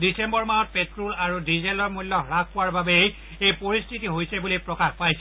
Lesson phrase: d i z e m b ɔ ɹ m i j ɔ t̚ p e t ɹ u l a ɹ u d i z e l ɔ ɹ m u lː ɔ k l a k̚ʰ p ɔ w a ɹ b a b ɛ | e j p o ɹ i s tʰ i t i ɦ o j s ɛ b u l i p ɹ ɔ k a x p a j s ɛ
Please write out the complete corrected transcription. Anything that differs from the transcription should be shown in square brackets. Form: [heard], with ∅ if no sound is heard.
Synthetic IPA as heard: d i [s] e m b ɔ ɹ m [a] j ɔ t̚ p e t ɹ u l a ɹ u d i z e l ɔ ɹ m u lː ɔ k [ɹ] a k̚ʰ p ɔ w a ɹ b a b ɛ | e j p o ɹ i s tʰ i t i ɦ o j s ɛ b u l i p ɹ ɔ k a x p a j s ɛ